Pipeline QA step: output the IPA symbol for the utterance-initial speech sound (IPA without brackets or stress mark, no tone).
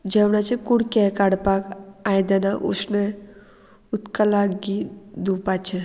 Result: d͡ʒ